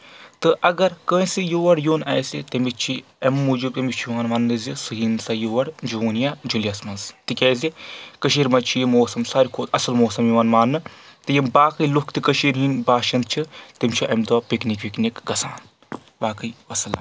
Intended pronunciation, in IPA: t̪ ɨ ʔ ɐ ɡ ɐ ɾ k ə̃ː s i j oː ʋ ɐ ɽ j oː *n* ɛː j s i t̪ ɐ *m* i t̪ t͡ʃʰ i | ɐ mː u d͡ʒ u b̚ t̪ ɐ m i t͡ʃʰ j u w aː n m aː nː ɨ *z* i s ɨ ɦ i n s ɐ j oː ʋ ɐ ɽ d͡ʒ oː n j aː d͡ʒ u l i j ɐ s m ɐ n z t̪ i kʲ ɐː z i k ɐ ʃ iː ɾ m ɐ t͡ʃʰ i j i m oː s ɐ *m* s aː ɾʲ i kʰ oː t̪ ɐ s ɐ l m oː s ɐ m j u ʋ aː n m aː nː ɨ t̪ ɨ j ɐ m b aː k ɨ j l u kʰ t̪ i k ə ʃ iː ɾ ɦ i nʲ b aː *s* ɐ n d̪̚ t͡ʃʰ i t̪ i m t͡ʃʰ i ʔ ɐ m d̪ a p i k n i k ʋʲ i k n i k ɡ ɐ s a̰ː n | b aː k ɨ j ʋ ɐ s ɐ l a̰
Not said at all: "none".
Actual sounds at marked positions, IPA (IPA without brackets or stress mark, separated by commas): n, m, z, m, ʃ